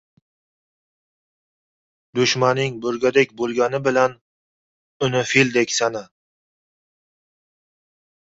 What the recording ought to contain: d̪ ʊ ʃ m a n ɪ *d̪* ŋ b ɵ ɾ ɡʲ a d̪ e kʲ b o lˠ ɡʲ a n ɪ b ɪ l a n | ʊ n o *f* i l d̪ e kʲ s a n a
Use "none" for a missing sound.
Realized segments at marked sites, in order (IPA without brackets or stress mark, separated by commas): none, f